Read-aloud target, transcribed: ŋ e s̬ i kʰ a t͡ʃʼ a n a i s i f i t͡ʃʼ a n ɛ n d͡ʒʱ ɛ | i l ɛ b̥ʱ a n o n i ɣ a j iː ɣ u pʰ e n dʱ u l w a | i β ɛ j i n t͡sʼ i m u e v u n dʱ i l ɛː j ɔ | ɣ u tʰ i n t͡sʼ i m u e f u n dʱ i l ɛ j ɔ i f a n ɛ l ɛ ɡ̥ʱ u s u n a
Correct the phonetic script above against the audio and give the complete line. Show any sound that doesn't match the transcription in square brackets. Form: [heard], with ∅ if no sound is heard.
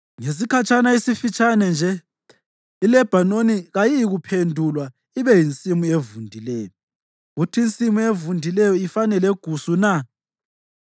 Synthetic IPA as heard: ŋ e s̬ i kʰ a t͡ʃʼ a n a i s i f i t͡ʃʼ a n ɛ n d͡ʒʱ ɛ | i l ɛ b̥ʱ a n o n i ɣ a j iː ɣ u pʰ e n dʱ u l w a | i β ɛ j i n t͡sʼ i m u e v u n dʱ i l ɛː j ɔ | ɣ u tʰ i n t͡sʼ i m u e [v] u n dʱ i l ɛ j ɔ i f a n ɛ l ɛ ɡ̥ʱ u s u n a